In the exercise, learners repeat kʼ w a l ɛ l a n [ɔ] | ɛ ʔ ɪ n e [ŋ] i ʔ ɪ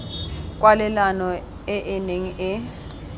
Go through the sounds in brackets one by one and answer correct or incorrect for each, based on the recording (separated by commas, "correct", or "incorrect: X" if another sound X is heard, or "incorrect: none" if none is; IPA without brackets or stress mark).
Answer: correct, correct